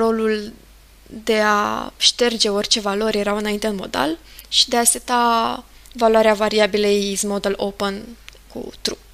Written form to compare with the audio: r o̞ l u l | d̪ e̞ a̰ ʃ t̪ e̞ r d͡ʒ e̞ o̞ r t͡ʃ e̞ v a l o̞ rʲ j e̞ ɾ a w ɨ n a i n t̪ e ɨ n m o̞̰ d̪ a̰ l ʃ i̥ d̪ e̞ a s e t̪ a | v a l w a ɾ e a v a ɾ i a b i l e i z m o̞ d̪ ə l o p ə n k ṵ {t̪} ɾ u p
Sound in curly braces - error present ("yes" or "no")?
no